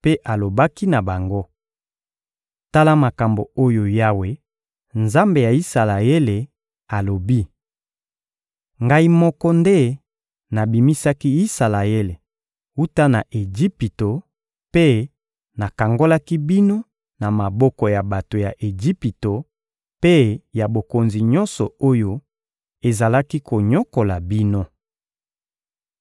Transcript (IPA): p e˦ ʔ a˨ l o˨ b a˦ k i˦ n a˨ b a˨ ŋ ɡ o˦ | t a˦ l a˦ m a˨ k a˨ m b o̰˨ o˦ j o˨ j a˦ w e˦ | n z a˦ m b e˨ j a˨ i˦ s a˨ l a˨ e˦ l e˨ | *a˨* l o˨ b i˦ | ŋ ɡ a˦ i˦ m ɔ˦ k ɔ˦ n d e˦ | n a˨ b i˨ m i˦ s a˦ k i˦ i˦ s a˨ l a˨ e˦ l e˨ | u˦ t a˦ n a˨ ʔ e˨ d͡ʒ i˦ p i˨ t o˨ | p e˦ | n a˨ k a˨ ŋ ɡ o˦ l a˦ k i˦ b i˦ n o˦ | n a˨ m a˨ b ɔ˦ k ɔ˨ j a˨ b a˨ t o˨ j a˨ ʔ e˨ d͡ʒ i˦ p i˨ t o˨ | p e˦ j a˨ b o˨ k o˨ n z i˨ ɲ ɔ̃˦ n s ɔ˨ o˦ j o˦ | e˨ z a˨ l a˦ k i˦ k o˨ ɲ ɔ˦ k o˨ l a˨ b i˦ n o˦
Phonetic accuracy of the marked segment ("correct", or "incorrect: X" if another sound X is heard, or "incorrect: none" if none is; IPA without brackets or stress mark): correct